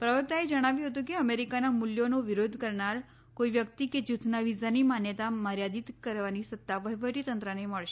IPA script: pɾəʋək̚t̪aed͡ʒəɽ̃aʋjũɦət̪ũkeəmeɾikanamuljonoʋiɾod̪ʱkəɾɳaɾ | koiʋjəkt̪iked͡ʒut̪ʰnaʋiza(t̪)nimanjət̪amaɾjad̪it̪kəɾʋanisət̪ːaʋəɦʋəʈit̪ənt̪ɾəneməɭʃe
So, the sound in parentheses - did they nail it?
no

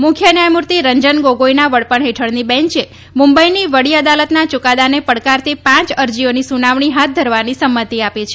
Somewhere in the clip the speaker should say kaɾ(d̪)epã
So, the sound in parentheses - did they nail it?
no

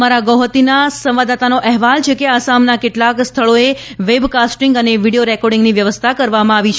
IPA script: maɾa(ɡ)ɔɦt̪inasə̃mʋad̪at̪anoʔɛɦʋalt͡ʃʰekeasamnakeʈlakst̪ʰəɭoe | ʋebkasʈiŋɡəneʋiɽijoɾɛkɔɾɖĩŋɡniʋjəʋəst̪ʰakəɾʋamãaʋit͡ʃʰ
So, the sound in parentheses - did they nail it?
yes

